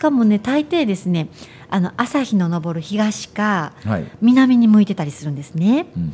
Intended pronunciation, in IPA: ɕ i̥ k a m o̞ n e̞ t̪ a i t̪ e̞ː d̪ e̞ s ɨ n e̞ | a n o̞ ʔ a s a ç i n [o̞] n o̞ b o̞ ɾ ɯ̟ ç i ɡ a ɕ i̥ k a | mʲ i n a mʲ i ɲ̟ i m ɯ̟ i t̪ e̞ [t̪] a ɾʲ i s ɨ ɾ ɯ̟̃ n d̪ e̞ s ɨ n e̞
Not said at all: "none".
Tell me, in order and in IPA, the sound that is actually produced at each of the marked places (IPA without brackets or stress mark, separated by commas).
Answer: o̞, t̪